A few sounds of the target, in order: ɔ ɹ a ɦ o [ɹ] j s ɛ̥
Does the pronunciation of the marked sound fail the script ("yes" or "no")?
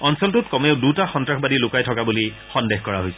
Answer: yes